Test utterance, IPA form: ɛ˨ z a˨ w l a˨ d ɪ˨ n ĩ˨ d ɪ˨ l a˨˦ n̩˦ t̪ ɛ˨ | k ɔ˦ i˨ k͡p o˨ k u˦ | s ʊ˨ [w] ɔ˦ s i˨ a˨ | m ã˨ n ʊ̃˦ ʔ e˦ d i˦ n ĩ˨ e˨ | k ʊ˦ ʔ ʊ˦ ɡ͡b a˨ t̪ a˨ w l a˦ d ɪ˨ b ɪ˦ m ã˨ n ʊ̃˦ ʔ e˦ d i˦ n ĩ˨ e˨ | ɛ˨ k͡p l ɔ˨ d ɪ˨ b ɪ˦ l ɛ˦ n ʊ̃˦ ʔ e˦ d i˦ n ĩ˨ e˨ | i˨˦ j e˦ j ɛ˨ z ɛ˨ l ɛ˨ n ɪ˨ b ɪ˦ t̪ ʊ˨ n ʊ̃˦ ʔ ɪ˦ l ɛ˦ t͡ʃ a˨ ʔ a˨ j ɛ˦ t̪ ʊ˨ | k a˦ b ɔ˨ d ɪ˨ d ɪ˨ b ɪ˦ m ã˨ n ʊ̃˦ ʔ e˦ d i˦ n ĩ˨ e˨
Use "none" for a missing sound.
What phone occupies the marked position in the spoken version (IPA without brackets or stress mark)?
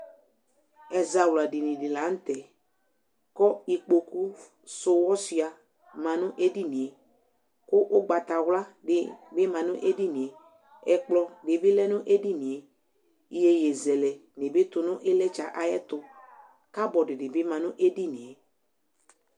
w